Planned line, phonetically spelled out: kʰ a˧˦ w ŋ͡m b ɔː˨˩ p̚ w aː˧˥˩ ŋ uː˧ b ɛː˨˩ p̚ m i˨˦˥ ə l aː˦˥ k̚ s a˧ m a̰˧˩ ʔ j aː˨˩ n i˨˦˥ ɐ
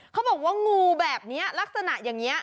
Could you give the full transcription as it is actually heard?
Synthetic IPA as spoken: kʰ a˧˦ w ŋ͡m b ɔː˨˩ k̚ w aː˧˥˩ ŋ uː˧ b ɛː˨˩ p̚ n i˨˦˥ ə l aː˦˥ k̚ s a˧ n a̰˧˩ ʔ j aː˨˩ ŋ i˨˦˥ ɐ